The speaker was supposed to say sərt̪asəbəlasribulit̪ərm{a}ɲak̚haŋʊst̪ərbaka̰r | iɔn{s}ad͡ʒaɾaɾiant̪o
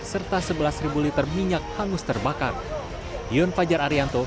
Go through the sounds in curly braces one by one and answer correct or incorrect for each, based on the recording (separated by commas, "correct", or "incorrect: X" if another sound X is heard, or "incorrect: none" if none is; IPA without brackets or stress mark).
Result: incorrect: i, incorrect: f